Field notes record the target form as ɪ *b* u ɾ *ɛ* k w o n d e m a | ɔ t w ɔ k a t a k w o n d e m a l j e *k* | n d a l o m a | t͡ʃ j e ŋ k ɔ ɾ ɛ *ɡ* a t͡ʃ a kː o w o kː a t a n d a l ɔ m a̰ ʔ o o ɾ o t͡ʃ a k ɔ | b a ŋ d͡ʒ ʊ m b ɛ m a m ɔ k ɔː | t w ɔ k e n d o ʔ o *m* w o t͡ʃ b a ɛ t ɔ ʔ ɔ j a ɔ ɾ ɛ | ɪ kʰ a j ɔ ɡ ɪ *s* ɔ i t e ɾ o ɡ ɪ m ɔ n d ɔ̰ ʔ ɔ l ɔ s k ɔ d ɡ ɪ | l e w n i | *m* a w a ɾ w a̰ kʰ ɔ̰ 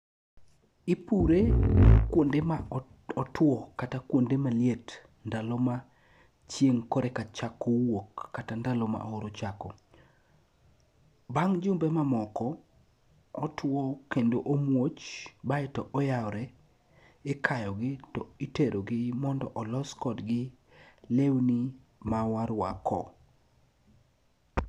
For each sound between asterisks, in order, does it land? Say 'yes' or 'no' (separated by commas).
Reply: no, no, no, no, yes, no, yes